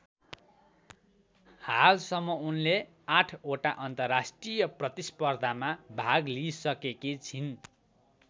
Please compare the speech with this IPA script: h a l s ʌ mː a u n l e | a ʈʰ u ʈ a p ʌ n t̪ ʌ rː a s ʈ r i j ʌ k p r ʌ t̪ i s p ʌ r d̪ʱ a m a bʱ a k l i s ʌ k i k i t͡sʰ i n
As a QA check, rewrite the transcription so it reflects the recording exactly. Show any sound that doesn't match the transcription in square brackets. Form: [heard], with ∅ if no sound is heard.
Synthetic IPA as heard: h a l s ʌ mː [ʌ] u n l e | a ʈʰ [o] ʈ a [ʔ] ʌ n t̪ ʌ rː a s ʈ r i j ʌ [∅] p r ʌ t̪ i s p ʌ r d̪ʱ a m a bʱ a [ɡ] l i s ʌ k [e] k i t͡sʰ i n